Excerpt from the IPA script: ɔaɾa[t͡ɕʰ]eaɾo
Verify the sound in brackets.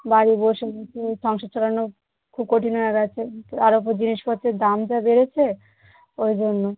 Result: correct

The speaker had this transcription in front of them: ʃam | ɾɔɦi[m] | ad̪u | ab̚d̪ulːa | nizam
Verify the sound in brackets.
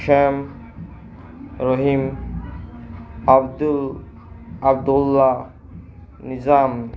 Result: correct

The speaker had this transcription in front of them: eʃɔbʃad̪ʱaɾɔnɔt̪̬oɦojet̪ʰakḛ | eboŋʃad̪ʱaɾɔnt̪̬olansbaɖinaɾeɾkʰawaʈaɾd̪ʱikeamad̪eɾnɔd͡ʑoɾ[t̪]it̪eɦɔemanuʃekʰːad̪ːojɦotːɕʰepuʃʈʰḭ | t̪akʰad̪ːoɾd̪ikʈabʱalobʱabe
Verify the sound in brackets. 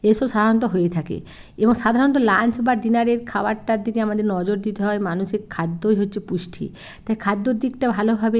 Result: incorrect: d̪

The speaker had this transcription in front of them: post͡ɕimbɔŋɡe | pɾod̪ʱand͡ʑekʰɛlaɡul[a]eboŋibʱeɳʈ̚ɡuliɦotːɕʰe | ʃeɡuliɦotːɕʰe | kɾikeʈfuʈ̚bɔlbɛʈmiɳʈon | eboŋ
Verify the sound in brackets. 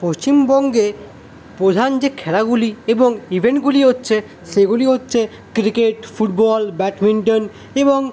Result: incorrect: i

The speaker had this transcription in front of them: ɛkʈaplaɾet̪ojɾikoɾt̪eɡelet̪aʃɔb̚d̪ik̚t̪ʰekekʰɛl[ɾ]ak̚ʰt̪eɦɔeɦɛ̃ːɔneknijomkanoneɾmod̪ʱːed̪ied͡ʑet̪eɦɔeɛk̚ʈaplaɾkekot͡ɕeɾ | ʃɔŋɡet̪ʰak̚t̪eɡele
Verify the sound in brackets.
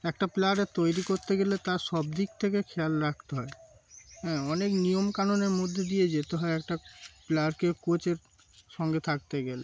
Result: correct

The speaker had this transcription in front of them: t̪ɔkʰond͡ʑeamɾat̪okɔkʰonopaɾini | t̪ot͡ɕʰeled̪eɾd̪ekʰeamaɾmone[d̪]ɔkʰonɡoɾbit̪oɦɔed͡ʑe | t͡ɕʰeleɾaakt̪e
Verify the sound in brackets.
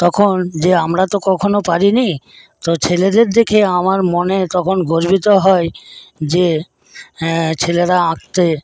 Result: incorrect: t̪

